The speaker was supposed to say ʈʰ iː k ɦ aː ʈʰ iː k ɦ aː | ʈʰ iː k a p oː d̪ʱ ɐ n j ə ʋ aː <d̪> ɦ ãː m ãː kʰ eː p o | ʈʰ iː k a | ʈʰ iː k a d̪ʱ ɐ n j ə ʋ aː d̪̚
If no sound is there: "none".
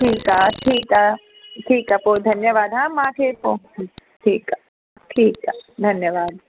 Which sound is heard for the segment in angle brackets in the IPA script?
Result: d̪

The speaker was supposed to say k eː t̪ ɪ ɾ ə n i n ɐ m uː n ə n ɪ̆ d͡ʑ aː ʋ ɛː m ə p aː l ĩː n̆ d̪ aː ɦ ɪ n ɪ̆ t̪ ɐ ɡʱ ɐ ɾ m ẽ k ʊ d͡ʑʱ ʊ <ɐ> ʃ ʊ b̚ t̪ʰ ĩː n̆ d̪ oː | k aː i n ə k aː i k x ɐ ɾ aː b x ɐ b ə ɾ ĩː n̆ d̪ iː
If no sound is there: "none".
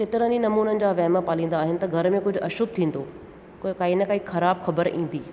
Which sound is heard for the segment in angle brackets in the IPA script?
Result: ɐ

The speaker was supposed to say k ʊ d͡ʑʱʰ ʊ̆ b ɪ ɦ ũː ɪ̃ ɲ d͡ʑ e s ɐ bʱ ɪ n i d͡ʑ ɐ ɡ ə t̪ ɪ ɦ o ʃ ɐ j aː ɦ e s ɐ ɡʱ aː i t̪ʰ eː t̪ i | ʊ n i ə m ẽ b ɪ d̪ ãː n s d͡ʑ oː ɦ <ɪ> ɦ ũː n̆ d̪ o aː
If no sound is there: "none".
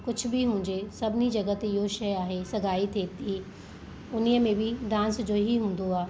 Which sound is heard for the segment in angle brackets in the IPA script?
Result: i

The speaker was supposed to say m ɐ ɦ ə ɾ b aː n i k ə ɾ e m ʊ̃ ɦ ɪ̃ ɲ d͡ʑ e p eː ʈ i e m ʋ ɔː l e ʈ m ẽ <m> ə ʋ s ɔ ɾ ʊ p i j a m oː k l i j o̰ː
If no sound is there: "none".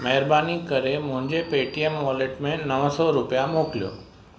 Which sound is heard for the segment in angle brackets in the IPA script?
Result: n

